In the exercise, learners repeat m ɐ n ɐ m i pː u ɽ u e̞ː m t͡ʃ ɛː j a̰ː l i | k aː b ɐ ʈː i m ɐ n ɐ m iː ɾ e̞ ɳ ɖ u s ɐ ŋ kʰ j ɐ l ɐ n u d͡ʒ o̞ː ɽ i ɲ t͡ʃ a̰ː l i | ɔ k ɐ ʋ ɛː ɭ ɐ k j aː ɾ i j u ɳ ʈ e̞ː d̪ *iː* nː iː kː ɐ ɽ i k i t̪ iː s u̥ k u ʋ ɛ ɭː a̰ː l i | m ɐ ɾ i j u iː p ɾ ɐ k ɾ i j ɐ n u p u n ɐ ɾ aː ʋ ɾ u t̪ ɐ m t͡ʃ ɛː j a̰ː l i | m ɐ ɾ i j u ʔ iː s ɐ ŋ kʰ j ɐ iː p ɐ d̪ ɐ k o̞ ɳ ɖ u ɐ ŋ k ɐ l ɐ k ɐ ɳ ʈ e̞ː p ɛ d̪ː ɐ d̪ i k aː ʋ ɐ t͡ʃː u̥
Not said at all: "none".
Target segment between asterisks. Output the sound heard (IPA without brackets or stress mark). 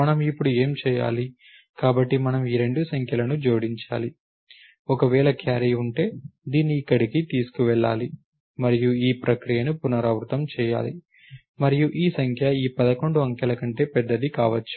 iː